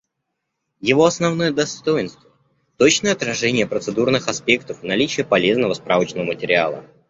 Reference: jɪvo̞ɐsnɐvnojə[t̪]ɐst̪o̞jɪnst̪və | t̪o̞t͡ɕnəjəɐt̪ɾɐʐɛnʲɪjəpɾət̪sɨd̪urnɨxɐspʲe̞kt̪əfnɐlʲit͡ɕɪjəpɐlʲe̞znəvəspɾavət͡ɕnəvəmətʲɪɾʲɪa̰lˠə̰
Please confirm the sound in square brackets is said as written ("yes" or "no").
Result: no